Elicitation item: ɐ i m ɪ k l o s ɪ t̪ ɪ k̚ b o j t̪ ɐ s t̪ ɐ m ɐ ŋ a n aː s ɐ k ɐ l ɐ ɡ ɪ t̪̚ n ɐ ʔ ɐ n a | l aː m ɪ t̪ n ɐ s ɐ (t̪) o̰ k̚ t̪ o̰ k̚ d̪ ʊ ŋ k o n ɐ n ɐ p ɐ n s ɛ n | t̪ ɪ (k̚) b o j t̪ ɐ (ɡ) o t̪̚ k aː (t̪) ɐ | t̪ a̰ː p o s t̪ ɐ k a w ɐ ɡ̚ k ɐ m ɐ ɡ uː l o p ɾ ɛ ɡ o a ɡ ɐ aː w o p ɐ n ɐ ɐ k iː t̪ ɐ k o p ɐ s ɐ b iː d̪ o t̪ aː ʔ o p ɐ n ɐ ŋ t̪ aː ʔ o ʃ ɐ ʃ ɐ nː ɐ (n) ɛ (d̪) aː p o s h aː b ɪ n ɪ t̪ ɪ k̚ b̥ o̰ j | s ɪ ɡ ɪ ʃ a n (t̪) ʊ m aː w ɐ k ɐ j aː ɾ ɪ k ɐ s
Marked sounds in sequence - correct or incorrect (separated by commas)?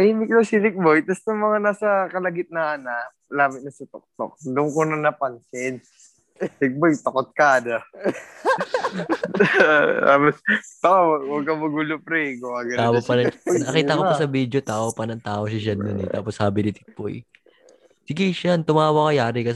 correct, correct, incorrect, incorrect, correct, incorrect, correct